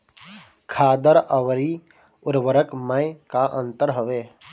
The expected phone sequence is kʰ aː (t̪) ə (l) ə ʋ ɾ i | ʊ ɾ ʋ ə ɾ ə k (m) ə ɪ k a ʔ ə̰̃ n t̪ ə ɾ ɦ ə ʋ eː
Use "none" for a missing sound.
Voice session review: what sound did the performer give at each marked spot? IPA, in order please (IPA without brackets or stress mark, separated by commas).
d̪, ɾ, m